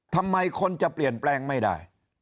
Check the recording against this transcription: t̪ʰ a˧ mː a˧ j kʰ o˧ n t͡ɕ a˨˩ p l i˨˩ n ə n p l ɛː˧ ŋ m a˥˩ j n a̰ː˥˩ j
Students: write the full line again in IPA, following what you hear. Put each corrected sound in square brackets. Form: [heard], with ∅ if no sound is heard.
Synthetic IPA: t̪ʰ a˧ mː a˧ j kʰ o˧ n t͡ɕ a˨˩ p l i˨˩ [∅] ə n p l ɛː˧ ŋ m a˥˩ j [d] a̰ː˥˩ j